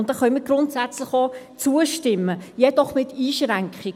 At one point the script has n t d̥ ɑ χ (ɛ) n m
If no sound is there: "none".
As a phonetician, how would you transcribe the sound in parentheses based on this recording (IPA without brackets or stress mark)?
œ